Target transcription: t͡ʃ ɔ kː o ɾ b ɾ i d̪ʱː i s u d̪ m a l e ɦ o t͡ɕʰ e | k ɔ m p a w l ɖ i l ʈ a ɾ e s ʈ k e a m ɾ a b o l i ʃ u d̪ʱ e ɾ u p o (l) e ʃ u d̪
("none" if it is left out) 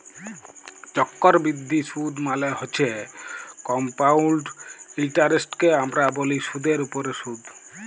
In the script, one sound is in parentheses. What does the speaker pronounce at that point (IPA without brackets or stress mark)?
ɾ